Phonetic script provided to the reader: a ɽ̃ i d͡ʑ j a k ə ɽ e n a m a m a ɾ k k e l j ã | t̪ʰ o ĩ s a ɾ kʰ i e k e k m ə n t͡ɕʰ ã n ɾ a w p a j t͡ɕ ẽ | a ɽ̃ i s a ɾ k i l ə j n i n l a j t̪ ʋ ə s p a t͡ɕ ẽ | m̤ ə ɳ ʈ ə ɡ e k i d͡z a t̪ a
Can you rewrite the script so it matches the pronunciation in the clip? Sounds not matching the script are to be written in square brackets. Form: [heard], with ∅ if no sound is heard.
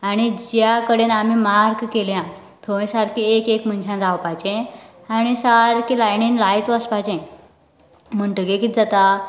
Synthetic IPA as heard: a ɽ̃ i d͡ʑ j a k ə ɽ e n a m [i] m a ɾ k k e l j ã | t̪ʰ o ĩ s a ɾ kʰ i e k e k m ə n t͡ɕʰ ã n ɾ a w p a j t͡ɕ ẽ | a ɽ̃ i s a ɾ k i l [a] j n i n l a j t̪ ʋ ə s p a t͡ɕ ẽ | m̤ ə ɳ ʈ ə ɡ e k i d͡z a t̪ a